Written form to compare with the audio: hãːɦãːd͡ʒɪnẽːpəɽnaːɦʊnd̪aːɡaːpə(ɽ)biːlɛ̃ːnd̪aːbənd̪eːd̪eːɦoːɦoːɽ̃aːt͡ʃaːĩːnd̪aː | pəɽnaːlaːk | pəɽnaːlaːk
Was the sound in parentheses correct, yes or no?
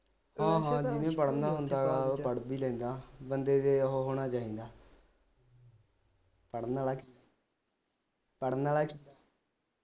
yes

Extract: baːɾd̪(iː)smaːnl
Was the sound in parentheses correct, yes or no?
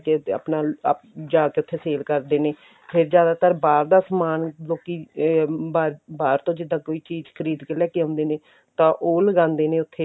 no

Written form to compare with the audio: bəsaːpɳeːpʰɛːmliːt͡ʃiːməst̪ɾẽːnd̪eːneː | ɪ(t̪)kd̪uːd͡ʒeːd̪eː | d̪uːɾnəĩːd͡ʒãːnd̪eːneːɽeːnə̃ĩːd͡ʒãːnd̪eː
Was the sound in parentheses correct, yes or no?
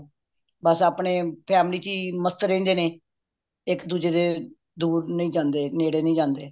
no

